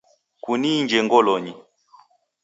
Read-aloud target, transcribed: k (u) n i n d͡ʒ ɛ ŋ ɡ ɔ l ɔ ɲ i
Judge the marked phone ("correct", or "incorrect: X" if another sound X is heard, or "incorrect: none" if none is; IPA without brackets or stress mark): correct